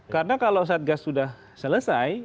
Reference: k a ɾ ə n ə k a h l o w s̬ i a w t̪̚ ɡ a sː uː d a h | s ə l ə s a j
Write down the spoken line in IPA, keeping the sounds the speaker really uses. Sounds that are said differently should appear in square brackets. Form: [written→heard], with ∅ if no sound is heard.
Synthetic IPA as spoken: k a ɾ ə n [ə→a] k a [h→∅] l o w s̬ [i→a] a [w→∅] t̪̚ ɡ a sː [uː→u] d a h | s ə l ə s a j